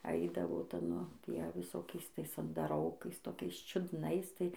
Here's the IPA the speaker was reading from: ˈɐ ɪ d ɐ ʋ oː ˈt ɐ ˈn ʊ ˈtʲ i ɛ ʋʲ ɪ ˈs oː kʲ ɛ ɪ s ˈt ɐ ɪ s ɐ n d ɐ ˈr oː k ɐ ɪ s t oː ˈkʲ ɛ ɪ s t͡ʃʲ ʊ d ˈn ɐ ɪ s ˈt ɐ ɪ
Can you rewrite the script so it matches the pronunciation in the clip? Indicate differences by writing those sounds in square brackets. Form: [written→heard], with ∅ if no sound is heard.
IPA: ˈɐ ɪ d ɐ ʋ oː ˈt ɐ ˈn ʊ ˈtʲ i ɛ ʋʲ ɪ ˈs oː kʲ ɛ ɪ s ˈt ɐ ɪ s ɐ n d ɐ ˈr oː k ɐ ɪ s t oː ˈkʲ ɛ ɪ s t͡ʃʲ ʊ d ˈn ɐ ɪ s ˈt ɐ ɪ